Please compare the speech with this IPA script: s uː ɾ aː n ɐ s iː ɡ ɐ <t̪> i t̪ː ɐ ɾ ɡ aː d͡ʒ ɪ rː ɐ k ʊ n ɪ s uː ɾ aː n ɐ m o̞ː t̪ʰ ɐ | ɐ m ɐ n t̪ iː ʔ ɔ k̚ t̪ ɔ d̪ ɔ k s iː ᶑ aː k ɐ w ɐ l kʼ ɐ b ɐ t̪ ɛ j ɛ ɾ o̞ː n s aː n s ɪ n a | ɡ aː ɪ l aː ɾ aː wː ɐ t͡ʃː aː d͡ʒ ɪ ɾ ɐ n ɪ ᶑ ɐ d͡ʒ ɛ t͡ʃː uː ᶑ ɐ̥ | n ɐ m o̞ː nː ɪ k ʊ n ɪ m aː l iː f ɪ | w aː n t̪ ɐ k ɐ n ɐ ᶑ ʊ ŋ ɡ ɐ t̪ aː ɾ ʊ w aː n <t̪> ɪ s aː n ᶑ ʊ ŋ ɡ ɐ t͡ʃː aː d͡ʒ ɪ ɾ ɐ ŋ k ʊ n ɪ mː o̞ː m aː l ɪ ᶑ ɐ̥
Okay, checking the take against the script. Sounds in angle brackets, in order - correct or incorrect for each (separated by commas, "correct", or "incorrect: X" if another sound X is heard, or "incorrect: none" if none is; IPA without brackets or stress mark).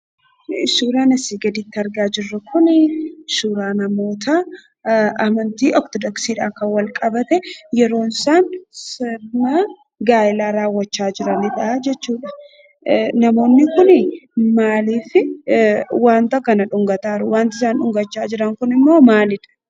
incorrect: d̪, correct